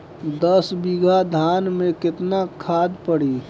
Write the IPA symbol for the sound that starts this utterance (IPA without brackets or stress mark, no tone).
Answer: d̪